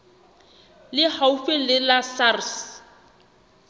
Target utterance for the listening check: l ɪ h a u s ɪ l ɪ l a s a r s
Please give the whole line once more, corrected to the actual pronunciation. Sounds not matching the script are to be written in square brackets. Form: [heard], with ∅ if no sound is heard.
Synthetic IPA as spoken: l ɪ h a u [f] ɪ l ɪ l a s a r s